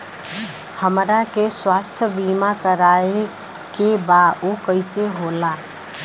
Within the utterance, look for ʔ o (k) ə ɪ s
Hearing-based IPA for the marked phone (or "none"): k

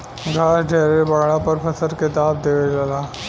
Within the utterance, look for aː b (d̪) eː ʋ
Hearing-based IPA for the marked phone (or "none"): d̪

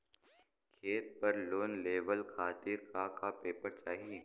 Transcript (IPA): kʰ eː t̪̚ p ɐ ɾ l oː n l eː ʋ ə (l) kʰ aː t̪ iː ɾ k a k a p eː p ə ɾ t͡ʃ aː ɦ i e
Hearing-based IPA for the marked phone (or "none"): l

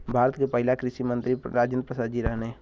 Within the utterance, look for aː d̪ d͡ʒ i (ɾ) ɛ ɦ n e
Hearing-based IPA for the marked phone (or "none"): ɾ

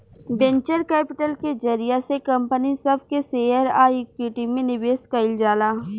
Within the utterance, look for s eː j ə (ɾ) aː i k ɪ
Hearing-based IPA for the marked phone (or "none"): ɾ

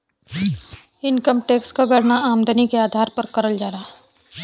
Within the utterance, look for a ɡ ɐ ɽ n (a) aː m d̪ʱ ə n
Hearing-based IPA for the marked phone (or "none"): a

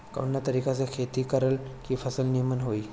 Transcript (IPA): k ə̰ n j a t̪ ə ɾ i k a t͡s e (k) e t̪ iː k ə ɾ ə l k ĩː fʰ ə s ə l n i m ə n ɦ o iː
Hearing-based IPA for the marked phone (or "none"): kʰ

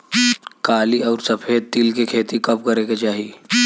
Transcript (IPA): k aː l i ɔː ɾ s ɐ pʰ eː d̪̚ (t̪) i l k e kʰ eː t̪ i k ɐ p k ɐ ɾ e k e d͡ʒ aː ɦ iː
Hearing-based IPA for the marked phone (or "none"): t̪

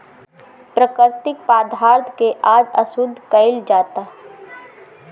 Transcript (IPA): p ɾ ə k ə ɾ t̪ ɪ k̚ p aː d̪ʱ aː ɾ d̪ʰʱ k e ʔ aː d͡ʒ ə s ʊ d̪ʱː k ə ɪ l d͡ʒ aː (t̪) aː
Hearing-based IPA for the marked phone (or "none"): t̪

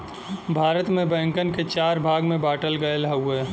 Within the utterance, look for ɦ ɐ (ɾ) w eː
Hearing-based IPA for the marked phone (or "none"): none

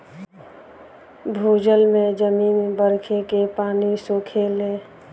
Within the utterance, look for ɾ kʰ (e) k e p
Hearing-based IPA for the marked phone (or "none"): e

